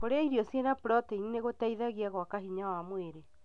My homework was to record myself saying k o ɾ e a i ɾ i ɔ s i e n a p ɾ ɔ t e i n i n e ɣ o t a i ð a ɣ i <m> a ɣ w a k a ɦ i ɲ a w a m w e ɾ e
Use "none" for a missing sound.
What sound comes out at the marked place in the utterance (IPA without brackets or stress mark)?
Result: none